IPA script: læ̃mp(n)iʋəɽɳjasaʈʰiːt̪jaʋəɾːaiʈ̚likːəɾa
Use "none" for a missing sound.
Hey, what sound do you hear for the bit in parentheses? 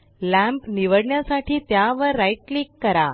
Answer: n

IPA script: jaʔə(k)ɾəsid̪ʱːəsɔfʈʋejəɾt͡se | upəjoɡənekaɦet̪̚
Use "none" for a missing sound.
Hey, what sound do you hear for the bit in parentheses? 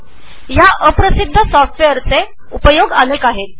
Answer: p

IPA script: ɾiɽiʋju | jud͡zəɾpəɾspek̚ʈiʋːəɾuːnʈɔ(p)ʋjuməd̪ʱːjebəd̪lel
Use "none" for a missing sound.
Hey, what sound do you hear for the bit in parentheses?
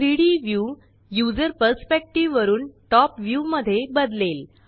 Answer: p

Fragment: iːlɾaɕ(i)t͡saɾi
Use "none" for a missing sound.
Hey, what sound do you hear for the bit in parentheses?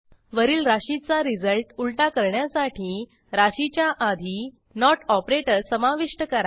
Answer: i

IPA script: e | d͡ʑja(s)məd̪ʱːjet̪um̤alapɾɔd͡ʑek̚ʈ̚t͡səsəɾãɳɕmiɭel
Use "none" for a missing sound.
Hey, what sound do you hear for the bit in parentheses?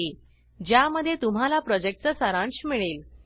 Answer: none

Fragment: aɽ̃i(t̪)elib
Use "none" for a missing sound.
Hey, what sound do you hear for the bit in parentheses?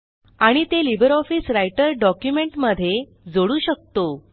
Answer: t̪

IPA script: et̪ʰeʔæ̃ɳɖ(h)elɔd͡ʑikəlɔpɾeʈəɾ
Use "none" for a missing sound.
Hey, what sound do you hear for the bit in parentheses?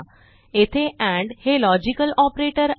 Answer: h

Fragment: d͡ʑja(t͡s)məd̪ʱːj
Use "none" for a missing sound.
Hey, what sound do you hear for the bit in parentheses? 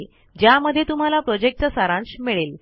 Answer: none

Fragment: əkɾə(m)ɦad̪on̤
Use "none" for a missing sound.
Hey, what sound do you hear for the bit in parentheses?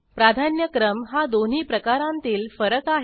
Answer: m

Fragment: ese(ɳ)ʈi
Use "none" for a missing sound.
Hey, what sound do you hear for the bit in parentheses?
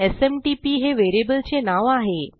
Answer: m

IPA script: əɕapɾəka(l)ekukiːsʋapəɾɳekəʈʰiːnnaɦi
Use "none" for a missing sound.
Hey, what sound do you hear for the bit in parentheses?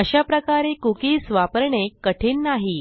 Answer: ɾ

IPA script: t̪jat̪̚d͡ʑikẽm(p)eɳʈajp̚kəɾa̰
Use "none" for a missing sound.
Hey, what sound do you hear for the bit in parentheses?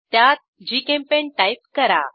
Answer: p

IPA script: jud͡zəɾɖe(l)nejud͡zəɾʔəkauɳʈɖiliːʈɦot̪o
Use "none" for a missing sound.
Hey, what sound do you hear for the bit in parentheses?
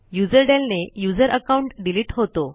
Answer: l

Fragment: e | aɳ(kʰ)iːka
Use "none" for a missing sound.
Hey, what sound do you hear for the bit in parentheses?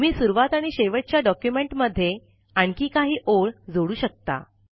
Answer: k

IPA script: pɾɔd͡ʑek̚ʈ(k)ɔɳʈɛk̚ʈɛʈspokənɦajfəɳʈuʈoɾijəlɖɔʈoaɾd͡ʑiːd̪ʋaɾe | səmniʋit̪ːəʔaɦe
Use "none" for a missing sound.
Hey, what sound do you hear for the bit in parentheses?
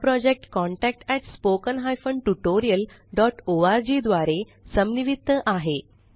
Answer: k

